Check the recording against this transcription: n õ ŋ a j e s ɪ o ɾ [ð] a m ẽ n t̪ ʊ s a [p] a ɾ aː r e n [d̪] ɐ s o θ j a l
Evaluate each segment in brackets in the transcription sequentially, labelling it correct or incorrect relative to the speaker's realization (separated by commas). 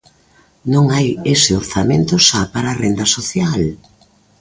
incorrect, correct, correct